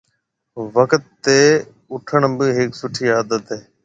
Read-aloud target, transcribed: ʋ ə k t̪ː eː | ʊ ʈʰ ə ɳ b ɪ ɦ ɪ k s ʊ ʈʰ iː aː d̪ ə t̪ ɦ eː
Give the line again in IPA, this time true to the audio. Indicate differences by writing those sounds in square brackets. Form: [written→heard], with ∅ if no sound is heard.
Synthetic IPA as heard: ʋ ə k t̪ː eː | ʊ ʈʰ ə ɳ b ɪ ɦ ɪ k s ʊ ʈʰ iː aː d̪ ə t̪ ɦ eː